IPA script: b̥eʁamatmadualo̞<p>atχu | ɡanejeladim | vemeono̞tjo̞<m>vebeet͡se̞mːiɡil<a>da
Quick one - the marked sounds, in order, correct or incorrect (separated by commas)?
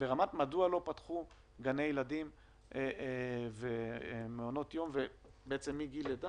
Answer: correct, correct, incorrect